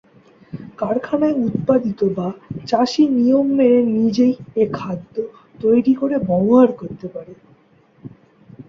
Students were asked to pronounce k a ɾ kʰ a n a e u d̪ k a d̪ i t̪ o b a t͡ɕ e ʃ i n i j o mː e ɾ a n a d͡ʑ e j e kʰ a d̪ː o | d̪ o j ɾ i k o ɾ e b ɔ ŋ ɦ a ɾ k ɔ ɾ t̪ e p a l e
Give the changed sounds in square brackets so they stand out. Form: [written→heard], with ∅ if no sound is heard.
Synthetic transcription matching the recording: k a ɾ kʰ a n a e u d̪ [k→p] a d̪ i t̪ o b a t͡ɕ [e→a] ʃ i n i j o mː e ɾ [a→e] n [a→i] d͡ʑ e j e kʰ a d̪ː o | [d̪→t̪] o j ɾ i k o ɾ e b ɔ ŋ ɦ a ɾ k [ɔ→o] ɾ t̪ e p a [l→ɾ] e